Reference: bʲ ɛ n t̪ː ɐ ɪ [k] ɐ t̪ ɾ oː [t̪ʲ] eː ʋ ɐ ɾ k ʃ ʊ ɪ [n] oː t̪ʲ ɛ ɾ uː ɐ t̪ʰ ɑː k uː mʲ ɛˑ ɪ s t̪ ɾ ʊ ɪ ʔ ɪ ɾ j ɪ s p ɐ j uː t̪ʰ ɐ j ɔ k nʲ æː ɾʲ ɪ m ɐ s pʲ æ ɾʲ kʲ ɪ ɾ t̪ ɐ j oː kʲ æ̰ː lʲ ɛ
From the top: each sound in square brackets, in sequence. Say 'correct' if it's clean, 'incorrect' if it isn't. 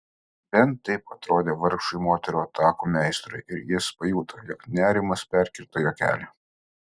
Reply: incorrect, incorrect, incorrect

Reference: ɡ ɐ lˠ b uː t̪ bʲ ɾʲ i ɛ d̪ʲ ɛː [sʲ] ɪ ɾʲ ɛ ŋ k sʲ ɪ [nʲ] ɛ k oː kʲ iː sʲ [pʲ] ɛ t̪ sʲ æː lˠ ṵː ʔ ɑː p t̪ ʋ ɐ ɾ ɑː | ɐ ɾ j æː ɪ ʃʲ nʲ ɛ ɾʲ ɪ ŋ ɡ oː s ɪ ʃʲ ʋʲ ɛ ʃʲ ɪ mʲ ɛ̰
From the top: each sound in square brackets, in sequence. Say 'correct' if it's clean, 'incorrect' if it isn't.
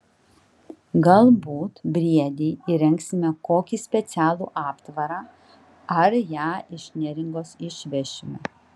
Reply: incorrect, incorrect, correct

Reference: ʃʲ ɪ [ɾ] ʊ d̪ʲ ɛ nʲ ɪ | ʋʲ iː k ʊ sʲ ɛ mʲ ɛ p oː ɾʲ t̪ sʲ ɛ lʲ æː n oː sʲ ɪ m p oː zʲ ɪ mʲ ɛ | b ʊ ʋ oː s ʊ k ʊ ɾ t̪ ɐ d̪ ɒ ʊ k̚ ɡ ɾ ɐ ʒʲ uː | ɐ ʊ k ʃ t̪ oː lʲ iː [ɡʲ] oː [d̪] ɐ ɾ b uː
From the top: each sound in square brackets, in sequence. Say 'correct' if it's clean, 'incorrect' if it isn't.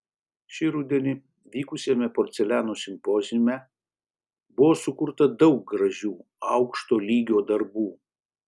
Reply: correct, correct, correct

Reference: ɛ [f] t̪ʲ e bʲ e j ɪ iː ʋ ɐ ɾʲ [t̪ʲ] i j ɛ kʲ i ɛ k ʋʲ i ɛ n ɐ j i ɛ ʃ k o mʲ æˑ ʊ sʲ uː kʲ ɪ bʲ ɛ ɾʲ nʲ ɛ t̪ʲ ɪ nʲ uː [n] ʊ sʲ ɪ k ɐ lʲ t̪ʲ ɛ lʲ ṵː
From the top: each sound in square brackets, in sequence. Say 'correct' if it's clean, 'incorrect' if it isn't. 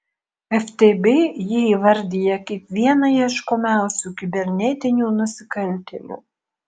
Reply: correct, incorrect, correct

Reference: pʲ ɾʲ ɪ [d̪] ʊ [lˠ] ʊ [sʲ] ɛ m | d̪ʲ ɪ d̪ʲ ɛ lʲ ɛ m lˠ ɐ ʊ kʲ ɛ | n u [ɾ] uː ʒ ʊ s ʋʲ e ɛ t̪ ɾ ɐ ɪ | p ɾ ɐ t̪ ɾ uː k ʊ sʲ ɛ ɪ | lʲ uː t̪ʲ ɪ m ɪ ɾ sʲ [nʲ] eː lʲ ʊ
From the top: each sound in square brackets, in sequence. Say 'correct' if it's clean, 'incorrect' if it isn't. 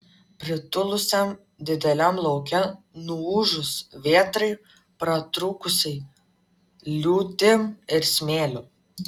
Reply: incorrect, correct, correct, incorrect, incorrect

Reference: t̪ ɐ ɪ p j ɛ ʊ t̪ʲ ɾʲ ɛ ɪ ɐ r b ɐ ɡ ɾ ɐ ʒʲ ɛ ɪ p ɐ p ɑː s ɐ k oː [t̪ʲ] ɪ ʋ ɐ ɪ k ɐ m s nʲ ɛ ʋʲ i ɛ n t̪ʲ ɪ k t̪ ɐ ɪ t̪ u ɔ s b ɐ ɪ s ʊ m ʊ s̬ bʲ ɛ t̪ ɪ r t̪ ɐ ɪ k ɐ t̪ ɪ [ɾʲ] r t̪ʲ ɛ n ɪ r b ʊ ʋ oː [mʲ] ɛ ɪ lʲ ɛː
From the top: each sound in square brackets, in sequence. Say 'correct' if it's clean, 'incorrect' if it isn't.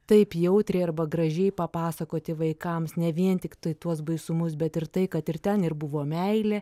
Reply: correct, incorrect, correct

